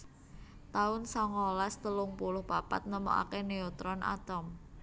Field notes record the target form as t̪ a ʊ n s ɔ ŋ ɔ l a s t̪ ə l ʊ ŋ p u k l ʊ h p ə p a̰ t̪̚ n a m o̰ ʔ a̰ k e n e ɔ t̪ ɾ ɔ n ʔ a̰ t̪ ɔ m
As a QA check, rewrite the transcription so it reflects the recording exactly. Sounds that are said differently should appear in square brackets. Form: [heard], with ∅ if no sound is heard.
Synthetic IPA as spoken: t̪ a ʊ n s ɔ ŋ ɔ l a s t̪ ə l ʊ ŋ p u [∅] l ʊ h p [a] p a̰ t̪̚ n [ə] m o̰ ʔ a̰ k e n e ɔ t̪ ɾ ɔ n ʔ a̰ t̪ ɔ m